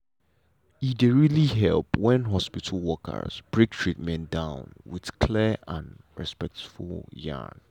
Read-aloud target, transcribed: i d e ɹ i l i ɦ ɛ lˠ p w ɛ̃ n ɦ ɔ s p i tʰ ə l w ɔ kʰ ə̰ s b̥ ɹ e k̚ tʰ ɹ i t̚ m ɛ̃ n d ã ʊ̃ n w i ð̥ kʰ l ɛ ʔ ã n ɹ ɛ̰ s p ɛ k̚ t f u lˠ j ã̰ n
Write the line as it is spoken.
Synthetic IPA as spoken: i d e ɹ i l i ɦ ɛ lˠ p w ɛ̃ n ɦ ɔ s p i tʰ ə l w ɔ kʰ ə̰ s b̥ ɹ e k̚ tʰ ɹ i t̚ m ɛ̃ n d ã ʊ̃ n w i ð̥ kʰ l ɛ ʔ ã n ɹ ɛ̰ s p ɛ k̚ t f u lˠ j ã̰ n